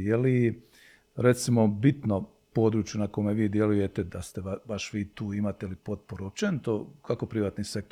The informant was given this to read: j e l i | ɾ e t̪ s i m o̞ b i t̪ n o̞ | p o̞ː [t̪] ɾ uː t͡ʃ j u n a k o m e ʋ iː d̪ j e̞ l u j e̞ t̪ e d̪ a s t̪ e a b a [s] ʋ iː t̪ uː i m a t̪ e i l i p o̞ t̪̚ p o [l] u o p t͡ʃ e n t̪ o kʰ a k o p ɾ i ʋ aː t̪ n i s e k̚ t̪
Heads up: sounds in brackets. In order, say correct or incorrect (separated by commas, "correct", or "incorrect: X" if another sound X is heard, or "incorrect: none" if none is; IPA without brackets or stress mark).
incorrect: d̪, incorrect: ʃ, incorrect: ɾ